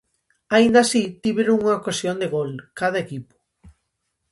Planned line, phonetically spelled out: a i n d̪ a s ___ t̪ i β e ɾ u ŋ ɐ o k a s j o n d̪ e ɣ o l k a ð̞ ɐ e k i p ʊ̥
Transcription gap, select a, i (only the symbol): i